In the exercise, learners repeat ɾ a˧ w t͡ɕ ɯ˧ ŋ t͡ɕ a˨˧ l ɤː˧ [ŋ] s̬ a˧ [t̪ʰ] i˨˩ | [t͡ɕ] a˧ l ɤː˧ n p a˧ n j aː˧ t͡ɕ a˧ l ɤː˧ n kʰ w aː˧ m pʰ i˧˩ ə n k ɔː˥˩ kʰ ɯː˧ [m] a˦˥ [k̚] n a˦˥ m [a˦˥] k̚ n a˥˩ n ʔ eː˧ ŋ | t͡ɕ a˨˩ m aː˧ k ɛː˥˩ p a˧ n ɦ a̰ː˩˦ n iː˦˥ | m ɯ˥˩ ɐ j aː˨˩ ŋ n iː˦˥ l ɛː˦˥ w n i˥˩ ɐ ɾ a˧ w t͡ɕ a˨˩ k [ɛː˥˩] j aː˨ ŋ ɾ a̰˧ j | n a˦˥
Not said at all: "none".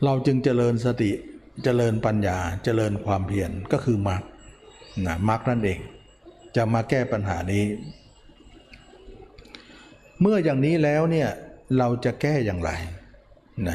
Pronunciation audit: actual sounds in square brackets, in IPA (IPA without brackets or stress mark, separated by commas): n, t̪, t͡ɕ, m, k̚, a˦˥, ɛː˥˩